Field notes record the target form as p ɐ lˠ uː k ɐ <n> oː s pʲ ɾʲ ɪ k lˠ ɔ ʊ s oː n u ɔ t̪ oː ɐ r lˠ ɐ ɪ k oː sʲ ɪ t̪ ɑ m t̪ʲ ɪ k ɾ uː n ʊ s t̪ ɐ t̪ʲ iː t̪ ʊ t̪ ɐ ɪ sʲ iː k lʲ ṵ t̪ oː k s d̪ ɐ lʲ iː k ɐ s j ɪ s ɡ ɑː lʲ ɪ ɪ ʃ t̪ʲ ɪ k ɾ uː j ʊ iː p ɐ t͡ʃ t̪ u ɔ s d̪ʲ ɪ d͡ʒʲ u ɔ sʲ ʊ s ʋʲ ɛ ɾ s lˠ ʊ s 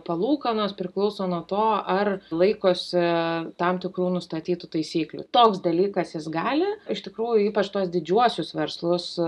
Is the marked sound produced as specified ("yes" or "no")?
yes